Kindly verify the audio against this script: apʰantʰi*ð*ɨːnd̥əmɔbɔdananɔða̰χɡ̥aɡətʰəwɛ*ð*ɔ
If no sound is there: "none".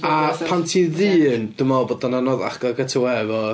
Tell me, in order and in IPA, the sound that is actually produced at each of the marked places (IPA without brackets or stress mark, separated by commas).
ð, v